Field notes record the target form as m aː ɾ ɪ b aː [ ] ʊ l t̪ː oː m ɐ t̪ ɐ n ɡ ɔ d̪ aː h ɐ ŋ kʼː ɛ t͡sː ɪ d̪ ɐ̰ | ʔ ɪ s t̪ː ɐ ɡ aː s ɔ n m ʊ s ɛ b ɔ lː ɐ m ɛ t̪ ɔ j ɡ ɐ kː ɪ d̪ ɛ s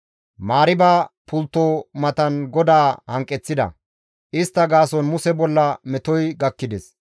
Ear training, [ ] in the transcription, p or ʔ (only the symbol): p